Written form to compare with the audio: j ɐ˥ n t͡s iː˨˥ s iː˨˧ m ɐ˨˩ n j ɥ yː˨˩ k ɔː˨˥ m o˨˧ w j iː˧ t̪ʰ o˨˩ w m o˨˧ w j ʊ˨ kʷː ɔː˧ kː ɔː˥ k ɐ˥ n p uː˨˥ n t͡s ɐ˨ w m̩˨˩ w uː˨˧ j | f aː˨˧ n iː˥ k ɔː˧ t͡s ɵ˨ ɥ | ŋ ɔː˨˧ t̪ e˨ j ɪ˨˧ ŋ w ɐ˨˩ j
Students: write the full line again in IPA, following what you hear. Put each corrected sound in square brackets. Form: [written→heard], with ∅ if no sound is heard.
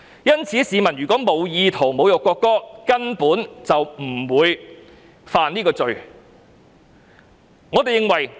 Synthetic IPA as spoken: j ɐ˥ n [t͡s→t͡sʰ] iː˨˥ s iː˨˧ m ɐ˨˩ n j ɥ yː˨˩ k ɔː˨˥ m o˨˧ w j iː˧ t̪ʰ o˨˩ w m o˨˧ w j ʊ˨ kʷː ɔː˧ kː ɔː˥ k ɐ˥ n p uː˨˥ n t͡s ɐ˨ w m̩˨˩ w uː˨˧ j | f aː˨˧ n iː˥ k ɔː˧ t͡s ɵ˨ ɥ | ŋ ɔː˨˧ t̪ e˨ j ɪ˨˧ ŋ w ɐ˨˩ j